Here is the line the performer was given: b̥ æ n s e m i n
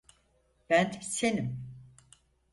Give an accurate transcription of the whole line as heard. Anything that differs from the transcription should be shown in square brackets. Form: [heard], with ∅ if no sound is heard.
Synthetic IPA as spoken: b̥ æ n s e [n] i [m]